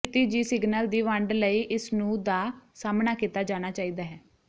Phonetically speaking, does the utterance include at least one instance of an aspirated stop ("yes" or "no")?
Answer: no